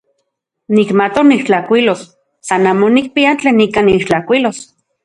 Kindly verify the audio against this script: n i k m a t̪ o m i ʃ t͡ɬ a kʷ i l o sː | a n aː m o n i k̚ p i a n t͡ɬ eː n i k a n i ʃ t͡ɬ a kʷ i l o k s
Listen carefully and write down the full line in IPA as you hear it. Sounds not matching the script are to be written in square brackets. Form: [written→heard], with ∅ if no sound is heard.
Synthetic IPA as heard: n i k m a t̪ o [m→n] i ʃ t͡ɬ a kʷ i l o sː | a n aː m o n i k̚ p i a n t͡ɬ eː n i k a n i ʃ t͡ɬ a kʷ i l o [k→∅] s